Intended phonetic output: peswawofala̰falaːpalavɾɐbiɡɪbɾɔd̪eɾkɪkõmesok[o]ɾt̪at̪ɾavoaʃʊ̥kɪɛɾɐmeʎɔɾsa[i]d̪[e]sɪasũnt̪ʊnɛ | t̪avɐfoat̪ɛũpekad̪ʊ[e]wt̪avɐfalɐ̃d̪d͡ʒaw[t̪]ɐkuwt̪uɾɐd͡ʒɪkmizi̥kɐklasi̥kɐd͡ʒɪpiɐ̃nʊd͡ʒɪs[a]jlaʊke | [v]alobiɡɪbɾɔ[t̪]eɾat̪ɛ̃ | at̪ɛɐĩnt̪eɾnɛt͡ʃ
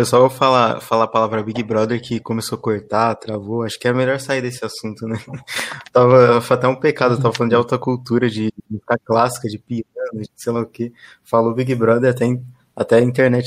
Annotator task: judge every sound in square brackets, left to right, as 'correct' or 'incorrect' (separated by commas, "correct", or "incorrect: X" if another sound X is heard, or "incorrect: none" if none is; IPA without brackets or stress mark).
correct, correct, correct, correct, correct, incorrect: e, incorrect: f, incorrect: d̪